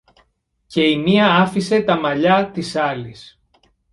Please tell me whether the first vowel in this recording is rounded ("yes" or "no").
no